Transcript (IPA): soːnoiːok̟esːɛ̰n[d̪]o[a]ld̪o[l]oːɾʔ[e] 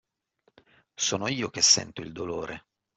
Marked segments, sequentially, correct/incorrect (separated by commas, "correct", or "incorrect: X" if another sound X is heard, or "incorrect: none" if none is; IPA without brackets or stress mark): incorrect: t̪, incorrect: i, correct, correct